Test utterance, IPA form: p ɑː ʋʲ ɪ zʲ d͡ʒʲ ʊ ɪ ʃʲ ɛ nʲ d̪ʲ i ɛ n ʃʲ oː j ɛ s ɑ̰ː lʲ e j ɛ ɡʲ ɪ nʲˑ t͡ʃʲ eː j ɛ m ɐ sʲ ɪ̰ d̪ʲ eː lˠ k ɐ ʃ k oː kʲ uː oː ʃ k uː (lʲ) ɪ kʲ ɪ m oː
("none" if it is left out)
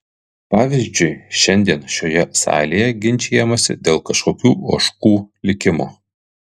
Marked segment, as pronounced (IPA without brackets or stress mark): lʲ